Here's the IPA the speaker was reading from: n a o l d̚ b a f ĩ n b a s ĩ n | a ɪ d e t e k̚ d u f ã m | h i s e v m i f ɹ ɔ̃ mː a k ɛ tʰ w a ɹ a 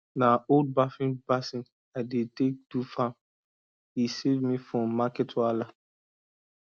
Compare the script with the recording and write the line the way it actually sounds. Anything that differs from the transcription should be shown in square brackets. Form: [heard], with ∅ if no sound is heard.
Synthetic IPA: n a o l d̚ b a f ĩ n b a s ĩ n | a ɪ d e t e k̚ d u f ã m | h i s e v m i f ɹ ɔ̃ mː a k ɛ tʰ w a [l] a